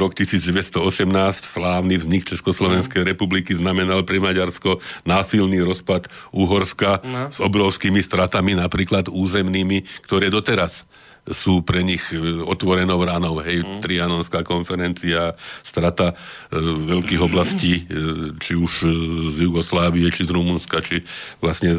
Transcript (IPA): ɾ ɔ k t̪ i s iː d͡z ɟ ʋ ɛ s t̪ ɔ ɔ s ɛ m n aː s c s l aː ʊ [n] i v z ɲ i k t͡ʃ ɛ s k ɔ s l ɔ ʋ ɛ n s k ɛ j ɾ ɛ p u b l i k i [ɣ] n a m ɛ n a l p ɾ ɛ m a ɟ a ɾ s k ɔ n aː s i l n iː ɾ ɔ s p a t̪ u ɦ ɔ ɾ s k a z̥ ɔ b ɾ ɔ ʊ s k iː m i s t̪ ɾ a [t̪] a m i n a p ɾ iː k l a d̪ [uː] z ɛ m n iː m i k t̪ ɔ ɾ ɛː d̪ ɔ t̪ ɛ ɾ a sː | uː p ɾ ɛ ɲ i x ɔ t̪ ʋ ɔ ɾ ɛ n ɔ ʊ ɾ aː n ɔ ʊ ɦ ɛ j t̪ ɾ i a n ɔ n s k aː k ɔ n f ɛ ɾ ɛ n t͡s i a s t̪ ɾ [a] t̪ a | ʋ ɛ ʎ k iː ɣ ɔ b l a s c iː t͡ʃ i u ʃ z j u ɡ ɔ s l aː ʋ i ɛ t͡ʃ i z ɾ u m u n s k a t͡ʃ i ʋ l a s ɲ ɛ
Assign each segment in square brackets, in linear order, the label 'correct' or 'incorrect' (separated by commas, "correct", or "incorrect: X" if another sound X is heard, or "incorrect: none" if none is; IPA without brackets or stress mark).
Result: correct, incorrect: z, correct, correct, correct